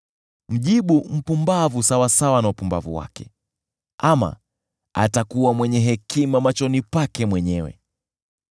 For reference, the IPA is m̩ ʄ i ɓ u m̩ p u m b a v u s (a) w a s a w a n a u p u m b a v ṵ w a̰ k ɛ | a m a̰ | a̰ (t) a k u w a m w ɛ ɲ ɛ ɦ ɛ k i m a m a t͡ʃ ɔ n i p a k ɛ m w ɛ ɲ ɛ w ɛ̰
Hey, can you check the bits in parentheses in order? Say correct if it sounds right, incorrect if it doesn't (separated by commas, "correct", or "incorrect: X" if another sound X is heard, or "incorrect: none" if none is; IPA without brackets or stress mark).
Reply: correct, correct